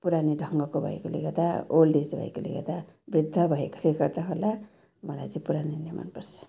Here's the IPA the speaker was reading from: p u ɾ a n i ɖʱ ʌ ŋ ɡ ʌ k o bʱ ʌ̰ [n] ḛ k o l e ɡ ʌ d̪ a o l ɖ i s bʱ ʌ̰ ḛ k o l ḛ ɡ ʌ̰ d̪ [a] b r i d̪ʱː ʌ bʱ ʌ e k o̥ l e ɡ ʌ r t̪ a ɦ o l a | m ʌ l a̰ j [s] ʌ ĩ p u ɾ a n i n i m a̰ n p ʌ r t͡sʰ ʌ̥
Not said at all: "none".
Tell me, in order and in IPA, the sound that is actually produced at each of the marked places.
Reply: none, a, t͡s

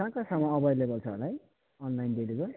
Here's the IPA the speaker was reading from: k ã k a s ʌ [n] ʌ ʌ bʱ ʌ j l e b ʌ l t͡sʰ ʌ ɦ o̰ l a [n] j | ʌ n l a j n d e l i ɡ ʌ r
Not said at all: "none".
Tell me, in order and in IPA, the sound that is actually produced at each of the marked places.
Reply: m, none

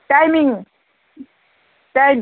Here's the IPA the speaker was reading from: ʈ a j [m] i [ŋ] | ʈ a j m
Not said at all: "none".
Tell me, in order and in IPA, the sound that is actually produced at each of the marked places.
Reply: m, ŋ

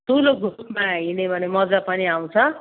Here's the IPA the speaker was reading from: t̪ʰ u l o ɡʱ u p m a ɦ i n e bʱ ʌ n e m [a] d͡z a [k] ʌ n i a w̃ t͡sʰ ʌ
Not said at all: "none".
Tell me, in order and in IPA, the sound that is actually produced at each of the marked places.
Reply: ʌ, p

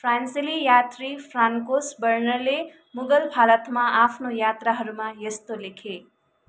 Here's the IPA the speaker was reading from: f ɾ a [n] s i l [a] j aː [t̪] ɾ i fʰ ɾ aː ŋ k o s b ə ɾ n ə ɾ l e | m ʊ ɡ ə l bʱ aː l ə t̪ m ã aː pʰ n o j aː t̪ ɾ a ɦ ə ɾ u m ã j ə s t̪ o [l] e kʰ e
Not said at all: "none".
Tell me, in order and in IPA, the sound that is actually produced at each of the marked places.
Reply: n, i, t̪, l

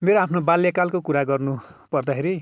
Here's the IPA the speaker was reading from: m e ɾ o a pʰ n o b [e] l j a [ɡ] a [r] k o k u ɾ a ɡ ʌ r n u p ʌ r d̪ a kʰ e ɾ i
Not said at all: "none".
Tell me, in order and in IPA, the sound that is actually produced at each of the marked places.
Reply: a, k, l

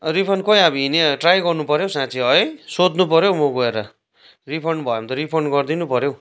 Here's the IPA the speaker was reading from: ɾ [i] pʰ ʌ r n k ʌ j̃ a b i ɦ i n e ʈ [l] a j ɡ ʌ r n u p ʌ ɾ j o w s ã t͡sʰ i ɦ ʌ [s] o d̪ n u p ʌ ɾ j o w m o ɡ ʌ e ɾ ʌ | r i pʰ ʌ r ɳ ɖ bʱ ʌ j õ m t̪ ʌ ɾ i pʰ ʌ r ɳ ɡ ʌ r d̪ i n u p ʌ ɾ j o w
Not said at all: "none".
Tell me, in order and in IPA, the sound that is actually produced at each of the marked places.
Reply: i, r, s

